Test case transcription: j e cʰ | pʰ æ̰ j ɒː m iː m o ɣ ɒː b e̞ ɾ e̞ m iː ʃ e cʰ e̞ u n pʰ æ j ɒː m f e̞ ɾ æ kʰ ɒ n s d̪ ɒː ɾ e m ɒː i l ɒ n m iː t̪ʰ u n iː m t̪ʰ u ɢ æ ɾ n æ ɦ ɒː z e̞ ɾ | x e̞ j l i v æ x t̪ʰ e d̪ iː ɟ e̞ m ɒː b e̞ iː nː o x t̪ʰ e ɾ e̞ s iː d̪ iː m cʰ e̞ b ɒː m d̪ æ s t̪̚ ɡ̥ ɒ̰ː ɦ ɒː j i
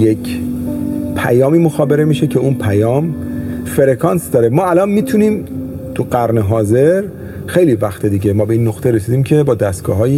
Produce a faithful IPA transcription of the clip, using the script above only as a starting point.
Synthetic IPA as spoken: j e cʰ | pʰ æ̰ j ɒː m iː m o x ɒː b e̞ ɾ e̞ m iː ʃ e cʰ e̞ u n pʰ æ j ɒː m f e̞ ɾ e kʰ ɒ n s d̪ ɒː ɾ e m ɒː æ l ɒ n m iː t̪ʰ u n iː m t̪ʰ u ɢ æ ɾ n e ɦ ɒː z e̞ ɾ | x e̞ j l i v æ x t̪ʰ e d̪ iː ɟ e̞ m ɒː b e̞ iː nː o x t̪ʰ e ɾ e̞ s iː d̪ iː m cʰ e̞ b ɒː d̪ æ s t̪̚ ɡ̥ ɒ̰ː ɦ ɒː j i